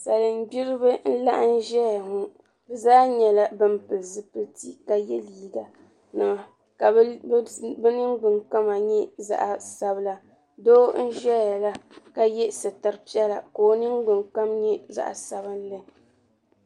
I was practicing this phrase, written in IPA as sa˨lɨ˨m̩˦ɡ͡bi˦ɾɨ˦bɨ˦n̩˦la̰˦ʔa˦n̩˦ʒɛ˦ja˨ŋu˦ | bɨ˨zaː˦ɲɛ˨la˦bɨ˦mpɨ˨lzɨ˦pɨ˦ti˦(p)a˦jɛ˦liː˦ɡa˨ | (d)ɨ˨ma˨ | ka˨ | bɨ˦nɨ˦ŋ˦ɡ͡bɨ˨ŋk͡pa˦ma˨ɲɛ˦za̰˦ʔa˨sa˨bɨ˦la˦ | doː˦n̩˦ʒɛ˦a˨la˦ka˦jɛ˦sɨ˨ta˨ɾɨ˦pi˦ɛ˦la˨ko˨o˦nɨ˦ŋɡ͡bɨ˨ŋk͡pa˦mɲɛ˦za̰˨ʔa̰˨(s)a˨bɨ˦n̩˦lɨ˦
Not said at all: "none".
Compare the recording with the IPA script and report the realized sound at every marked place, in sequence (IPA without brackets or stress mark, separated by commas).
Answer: k, n, s